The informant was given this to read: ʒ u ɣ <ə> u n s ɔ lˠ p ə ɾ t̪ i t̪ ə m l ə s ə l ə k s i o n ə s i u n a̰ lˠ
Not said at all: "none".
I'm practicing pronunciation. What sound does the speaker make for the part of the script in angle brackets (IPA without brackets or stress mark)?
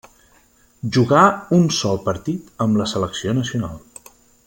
a